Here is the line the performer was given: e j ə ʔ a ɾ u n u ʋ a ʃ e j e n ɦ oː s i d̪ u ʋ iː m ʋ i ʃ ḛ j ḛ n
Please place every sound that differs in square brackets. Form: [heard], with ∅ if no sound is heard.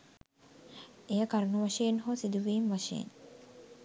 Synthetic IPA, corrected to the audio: e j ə [k] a ɾ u n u ʋ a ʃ e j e n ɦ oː s i d̪ u ʋ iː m ʋ [a] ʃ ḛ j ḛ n